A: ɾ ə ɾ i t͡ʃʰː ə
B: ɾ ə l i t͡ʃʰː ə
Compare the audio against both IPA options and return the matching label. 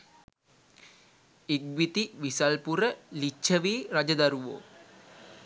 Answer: B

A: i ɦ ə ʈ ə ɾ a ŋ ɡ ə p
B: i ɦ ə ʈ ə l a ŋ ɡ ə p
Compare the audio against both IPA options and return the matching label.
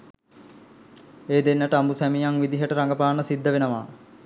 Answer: A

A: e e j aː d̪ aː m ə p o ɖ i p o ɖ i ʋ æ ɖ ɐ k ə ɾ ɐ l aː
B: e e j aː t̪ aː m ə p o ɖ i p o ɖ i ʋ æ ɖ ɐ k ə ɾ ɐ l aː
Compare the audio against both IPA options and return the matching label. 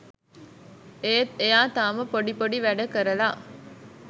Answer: B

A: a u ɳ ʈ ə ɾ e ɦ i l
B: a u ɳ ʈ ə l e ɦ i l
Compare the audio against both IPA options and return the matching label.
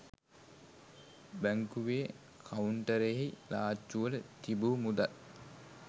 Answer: A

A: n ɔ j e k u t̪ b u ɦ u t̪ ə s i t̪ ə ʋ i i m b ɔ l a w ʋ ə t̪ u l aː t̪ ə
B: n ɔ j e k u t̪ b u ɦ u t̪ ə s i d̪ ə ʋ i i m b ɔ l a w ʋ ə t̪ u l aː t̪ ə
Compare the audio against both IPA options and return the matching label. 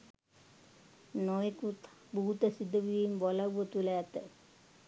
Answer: B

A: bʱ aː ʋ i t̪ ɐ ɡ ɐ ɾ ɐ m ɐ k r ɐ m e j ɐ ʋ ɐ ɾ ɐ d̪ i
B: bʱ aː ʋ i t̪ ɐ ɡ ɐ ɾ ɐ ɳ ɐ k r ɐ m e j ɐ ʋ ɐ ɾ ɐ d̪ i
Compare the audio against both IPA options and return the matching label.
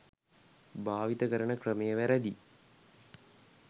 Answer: B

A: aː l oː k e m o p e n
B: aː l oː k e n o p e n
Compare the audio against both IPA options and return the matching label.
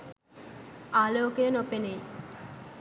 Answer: B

